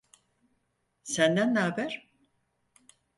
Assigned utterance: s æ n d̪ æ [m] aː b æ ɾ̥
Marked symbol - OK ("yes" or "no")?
no